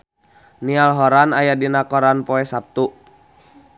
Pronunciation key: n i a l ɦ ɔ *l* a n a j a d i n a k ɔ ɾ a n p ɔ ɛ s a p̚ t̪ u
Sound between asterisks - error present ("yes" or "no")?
yes